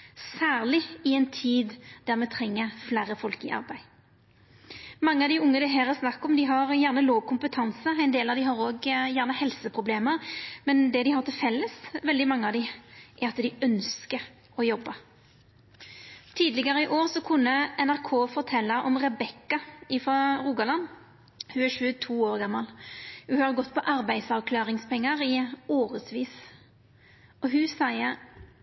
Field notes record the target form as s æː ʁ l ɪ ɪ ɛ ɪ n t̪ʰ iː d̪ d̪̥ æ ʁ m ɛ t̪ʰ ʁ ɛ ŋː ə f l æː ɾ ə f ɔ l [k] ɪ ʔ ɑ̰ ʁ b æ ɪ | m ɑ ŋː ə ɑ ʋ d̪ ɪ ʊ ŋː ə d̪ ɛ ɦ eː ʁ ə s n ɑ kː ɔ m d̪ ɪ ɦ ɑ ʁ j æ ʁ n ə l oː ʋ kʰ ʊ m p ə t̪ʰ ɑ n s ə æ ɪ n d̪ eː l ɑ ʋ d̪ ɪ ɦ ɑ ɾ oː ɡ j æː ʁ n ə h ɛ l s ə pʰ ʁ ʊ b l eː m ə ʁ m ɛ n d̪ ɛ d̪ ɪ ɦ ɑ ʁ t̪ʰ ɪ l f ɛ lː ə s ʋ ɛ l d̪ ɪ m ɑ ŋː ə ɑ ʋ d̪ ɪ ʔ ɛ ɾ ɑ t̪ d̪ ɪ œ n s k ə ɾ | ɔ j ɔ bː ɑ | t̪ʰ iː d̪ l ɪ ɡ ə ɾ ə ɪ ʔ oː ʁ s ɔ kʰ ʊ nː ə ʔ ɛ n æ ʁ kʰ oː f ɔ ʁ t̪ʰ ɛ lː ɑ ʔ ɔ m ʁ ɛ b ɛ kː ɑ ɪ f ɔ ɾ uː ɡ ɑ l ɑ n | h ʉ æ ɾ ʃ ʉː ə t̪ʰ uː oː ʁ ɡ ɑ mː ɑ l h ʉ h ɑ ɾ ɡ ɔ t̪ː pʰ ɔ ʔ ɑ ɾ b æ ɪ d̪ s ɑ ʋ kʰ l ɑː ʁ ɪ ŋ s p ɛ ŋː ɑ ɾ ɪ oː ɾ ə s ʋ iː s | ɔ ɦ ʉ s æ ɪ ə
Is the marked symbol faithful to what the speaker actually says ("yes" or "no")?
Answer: yes